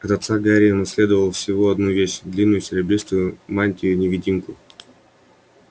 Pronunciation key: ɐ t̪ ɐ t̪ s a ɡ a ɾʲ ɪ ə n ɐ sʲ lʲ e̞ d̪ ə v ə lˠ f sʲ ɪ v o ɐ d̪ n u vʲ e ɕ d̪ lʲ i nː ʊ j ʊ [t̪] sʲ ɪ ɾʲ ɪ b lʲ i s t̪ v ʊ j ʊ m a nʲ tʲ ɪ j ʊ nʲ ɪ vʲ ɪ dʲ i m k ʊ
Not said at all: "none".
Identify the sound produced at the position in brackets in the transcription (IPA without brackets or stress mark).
none